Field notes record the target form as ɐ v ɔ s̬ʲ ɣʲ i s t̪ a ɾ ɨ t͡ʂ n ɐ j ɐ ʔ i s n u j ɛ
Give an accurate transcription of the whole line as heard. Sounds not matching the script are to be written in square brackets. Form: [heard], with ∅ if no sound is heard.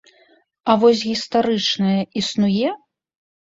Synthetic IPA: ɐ v ɔ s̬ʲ ɣʲ i s t̪ a ɾ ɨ t͡ʂ n ɐ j ɐ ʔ i s n u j ɛ